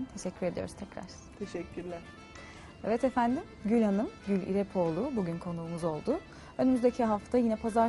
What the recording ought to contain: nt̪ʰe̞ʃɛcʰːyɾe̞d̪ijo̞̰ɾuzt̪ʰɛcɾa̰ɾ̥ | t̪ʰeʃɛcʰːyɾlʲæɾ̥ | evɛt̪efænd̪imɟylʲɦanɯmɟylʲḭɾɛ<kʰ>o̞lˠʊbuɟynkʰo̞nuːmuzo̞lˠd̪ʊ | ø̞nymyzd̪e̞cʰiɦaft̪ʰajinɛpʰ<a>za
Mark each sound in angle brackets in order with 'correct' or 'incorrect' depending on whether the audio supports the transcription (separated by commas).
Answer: incorrect, correct